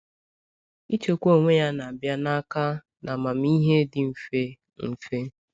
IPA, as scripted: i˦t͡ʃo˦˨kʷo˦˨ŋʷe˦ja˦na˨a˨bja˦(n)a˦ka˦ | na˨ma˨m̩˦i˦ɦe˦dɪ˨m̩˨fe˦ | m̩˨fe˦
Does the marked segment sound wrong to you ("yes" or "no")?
no